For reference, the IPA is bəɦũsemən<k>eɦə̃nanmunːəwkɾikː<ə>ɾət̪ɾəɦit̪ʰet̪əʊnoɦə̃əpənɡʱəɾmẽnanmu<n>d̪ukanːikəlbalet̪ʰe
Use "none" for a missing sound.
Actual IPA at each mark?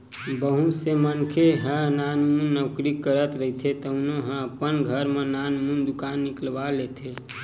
kʰ, ə, n

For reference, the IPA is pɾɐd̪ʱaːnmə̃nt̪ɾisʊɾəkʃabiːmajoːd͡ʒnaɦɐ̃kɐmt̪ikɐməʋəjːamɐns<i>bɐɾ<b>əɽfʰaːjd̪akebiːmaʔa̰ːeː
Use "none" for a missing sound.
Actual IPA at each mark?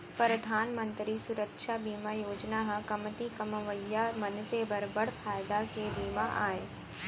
e, b

